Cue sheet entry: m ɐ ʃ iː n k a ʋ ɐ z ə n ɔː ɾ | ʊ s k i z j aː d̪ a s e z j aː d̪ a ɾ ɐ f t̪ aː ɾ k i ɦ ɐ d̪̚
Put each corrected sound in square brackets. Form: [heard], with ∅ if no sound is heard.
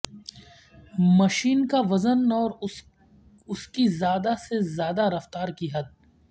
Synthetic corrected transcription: m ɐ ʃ iː n k a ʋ ɐ z ə n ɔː ɾ | ʊ s k i z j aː d̪ a s e z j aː d̪ a ɾ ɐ f t̪ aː ɾ k i ɦ ɐ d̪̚